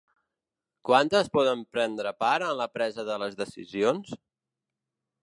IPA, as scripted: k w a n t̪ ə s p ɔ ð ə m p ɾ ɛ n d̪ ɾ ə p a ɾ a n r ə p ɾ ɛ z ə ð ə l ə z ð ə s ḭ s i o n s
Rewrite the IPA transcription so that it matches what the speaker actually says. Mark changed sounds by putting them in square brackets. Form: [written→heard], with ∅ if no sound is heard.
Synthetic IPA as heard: k w a n t̪ ə s p ɔ ð ə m p ɾ ɛ n d̪ ɾ ə p a ɾ [a→ə] n [r→l] ə p ɾ ɛ z ə ð ə l ə z ð ə s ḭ [s→z] i o n s